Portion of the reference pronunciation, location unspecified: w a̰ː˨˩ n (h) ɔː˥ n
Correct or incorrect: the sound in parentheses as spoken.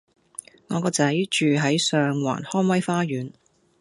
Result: correct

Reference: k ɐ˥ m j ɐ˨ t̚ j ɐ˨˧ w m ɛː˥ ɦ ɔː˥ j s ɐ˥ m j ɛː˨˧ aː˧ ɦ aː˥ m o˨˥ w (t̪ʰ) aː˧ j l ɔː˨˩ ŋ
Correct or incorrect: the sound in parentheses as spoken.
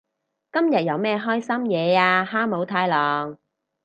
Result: correct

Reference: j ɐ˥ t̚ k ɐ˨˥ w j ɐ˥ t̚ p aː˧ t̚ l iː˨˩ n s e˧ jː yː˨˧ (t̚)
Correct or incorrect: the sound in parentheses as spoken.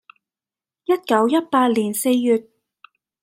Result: correct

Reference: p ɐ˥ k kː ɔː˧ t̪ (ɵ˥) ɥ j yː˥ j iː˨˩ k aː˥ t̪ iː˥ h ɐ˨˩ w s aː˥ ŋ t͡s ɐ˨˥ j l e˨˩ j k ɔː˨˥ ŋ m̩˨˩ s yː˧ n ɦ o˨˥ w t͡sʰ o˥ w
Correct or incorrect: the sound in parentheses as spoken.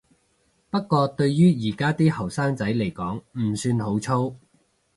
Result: incorrect: ɵ˧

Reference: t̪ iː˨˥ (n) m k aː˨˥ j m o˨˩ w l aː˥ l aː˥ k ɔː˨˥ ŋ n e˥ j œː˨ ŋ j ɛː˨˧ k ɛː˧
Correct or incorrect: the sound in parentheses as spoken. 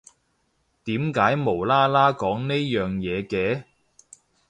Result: incorrect: none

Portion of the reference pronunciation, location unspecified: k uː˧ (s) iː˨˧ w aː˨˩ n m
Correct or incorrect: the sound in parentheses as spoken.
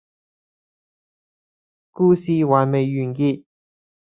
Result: correct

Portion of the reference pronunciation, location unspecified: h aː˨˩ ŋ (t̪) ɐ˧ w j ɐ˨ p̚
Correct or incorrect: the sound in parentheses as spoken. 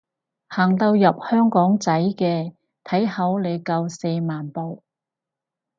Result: correct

